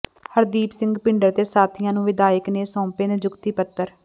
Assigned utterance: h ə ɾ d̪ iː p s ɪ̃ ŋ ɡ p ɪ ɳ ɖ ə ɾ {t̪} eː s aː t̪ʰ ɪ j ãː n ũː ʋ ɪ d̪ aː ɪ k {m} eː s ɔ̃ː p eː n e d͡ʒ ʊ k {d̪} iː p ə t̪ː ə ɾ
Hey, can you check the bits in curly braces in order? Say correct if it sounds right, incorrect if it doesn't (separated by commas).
correct, incorrect, incorrect